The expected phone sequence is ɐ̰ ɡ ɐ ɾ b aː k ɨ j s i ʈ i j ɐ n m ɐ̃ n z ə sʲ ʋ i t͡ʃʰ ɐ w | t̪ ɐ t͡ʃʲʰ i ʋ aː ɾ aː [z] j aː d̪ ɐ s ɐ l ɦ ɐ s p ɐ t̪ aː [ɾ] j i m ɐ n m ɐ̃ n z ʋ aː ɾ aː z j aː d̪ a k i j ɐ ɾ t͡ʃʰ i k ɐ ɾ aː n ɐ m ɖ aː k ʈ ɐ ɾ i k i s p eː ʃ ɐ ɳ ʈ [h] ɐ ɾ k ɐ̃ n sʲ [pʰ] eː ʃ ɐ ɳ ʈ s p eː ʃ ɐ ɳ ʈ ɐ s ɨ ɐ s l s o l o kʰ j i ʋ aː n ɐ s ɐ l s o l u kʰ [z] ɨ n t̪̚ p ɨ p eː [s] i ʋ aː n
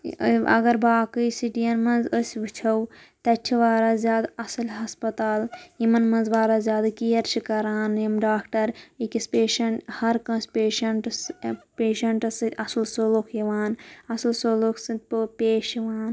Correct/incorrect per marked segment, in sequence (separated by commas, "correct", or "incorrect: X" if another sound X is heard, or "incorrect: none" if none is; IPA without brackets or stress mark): correct, incorrect: l, correct, incorrect: p, incorrect: s, incorrect: ʃ